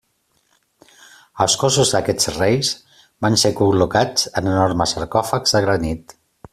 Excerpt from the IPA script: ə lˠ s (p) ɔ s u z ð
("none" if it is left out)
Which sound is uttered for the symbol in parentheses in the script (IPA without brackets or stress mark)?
k